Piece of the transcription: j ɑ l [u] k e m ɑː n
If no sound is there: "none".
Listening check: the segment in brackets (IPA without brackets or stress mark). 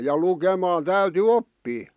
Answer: u